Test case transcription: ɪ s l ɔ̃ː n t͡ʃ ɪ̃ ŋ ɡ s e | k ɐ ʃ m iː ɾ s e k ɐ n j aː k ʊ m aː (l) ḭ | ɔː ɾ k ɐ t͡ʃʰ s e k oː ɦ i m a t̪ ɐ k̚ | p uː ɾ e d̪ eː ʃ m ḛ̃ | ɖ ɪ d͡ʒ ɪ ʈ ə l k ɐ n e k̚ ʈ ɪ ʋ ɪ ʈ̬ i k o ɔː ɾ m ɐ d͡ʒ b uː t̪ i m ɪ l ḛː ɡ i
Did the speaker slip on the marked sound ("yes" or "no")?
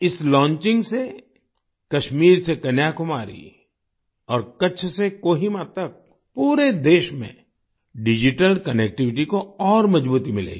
yes